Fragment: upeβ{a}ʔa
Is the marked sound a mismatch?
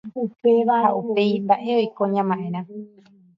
no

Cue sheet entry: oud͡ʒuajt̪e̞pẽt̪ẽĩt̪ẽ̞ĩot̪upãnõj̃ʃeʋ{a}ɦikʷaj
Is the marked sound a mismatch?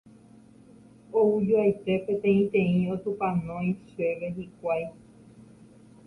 yes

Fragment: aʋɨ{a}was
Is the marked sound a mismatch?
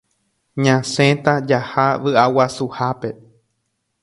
no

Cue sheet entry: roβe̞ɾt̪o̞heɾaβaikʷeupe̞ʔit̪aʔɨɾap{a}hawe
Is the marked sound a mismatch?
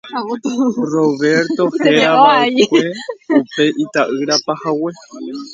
no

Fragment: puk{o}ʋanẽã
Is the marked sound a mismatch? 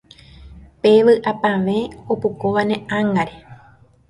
no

